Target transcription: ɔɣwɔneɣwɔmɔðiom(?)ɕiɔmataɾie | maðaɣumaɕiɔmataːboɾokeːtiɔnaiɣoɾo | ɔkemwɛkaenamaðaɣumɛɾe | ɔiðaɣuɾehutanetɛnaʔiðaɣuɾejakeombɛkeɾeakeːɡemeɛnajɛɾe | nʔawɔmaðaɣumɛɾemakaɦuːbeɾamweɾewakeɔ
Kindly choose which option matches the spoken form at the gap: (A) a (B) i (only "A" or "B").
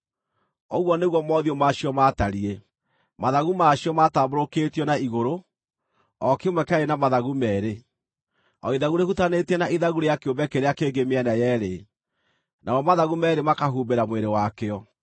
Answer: A